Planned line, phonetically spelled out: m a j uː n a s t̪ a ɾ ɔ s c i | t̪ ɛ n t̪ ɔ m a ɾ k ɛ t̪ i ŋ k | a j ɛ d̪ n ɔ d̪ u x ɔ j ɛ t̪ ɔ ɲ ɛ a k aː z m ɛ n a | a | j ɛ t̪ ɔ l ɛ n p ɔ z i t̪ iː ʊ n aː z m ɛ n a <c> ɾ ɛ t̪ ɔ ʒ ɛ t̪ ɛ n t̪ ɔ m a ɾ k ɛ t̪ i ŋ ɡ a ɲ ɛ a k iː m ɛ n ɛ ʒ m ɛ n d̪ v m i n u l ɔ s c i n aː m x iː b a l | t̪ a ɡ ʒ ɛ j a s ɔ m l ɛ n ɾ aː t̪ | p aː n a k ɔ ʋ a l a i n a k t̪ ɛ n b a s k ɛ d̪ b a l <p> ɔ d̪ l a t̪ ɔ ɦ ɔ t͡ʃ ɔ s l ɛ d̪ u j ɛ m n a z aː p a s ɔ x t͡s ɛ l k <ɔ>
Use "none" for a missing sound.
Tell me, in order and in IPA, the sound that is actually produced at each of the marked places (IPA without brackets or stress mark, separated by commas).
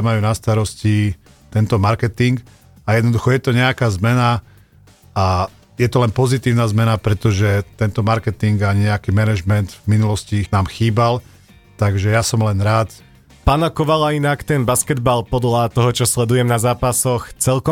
p, p, ɔ